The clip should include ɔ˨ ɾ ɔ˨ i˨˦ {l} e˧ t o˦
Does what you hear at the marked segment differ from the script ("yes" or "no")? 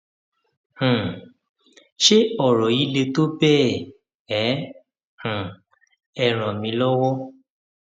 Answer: no